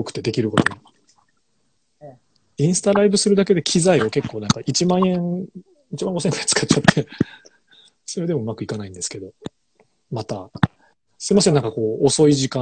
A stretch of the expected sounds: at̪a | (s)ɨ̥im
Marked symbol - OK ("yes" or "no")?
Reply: yes